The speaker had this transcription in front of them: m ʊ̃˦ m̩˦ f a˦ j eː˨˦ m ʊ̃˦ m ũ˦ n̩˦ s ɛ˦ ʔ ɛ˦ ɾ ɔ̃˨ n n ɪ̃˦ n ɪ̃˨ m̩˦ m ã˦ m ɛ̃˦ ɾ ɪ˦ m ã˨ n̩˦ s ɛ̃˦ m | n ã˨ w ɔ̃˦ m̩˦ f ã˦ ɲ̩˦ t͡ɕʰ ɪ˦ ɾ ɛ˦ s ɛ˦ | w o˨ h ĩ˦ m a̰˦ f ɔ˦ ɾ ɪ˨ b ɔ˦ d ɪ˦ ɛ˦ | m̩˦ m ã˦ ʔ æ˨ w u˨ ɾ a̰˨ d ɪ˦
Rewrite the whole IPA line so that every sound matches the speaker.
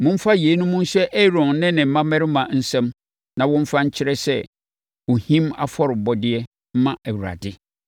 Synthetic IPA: m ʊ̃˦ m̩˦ f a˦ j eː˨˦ n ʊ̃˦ m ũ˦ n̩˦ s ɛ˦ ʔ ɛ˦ ɾ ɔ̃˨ n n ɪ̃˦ n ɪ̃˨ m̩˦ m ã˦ m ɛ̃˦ ɾ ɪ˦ m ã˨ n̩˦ s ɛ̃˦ m | n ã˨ w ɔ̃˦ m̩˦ f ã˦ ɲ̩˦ t͡ɕʰ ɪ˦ ɾ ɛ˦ s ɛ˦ | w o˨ h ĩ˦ m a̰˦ f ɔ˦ ɾ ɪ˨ b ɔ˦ d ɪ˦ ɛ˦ | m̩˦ m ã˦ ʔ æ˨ w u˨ ɾ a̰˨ d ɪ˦